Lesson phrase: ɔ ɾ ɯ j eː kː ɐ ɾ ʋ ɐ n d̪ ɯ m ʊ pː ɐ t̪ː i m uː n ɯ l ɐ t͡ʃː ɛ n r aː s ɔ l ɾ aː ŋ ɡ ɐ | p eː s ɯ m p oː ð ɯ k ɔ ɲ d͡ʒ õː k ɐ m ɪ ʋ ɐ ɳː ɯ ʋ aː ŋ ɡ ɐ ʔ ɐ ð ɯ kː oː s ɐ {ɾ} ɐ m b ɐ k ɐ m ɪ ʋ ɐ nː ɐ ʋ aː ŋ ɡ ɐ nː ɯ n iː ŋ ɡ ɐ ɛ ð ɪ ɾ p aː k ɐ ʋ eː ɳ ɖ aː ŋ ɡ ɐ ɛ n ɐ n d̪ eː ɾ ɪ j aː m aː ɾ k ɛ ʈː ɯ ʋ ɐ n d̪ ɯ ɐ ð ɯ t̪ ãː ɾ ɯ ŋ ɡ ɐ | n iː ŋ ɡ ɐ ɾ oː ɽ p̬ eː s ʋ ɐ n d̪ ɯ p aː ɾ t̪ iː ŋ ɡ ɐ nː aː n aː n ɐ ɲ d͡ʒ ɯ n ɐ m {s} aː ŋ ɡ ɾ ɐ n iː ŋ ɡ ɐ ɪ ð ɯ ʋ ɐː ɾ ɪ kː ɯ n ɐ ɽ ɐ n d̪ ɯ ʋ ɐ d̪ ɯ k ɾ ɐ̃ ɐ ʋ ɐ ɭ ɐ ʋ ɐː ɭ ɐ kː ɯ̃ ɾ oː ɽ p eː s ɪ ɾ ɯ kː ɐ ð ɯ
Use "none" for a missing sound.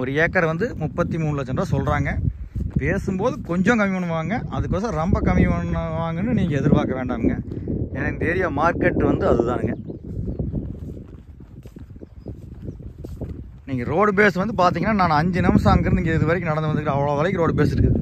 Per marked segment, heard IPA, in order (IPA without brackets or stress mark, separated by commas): ɾ, s